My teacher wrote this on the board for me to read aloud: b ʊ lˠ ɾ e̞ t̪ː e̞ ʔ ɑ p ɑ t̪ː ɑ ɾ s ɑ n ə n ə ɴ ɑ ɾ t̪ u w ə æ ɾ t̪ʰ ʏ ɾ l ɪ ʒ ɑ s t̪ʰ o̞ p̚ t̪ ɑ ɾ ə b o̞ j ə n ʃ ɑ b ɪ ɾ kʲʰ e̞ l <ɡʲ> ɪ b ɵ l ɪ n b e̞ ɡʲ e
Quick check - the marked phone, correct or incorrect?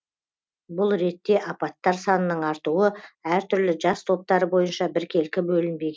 incorrect